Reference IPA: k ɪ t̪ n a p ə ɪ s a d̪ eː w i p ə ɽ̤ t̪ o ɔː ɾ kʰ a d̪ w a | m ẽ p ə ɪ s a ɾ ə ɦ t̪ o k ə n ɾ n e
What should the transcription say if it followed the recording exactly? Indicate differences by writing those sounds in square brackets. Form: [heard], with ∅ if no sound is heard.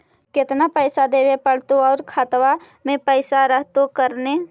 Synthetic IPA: k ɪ t̪ n a p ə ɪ s a d̪ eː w [e] p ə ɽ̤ t̪ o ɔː ɾ kʰ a [t̪] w a | m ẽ p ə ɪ s a ɾ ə ɦ t̪ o k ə [∅] ɾ n e